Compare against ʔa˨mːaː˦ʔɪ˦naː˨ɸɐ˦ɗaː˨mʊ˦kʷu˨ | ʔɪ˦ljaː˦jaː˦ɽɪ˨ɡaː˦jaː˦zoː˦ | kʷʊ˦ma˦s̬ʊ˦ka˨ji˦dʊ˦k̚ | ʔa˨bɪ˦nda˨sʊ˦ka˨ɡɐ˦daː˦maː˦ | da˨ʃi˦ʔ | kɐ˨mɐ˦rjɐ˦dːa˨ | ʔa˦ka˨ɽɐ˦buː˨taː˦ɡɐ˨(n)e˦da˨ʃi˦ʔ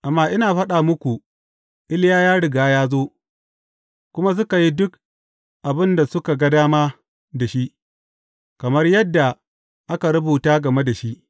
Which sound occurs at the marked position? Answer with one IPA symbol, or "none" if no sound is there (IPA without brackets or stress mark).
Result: m